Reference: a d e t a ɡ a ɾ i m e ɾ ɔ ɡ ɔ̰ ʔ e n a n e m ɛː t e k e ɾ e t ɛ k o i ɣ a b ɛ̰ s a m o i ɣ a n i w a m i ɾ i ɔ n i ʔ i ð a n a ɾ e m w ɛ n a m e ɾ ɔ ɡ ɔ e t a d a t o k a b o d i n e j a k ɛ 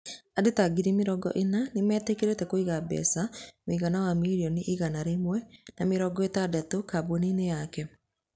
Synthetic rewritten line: a d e t a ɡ i ɾ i m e ɾ ɔ ɡ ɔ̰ ʔ e n a n e m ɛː t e k e ɾ e t ɛ k o i ɣ a b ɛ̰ s a m o i ɣ a n a w a m i ɾ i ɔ n i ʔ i ɣ a n a ɾ e m w ɛ n a m e ɾ ɔ ɡ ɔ e t a d a t o k a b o n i n e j a k ɛ